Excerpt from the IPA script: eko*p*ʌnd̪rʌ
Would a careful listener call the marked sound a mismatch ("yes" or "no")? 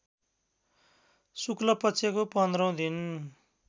no